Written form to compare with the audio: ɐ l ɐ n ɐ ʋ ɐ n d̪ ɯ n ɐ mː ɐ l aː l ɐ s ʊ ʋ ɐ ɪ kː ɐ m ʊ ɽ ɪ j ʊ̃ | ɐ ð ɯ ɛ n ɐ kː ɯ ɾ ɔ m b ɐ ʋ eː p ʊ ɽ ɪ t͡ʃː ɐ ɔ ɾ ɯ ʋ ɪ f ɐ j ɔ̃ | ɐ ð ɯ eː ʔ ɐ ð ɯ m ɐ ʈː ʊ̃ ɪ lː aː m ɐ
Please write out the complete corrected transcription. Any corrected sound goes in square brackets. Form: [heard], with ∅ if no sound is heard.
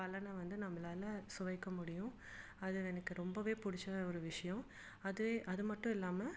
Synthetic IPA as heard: ɐ l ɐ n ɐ ʋ ɐ n d̪ ɯ n ɐ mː ɐ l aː l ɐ s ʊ ʋ ɐ ɪ kː ɐ m ʊ ɽ ɪ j ʊ̃ | ɐ ð ɯ ɛ n ɐ kː ɯ ɾ ɔ m b ɐ ʋ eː p ʊ ɽ ɪ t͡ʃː ɐ ɔ ɾ ɯ ʋ ɪ [ʂ] ɐ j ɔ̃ | ɐ ð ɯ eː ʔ ɐ ð ɯ m ɐ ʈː ʊ̃ ɪ lː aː m ɐ